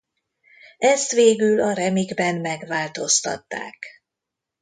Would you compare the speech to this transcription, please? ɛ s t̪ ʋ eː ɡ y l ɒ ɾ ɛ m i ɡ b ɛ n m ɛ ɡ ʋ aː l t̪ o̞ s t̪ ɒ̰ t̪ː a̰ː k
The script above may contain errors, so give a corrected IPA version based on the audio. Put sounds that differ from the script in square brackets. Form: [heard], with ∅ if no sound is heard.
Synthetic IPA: ɛ s t̪ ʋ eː ɡ y l ɒ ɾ ɛ m i ɡ b ɛ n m ɛ ɡ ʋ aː l t̪ o̞ s t̪ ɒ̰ t̪ː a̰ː k